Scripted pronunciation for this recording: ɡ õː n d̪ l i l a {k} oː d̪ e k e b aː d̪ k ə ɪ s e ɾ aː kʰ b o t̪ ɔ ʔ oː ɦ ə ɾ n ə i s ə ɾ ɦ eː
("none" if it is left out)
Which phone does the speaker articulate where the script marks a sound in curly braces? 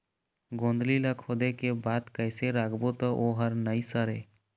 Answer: kʰ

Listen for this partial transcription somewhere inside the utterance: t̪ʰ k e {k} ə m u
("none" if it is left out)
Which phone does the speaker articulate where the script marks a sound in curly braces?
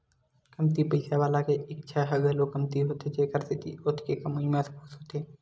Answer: k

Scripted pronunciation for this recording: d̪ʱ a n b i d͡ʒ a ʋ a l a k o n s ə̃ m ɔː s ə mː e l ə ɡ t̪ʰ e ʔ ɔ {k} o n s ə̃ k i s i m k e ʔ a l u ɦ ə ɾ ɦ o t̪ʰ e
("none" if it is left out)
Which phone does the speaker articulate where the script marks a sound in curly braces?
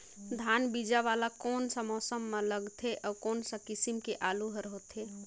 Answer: k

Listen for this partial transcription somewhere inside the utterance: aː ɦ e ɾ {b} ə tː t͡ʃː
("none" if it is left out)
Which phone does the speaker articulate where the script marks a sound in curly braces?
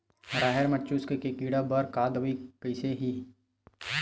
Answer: m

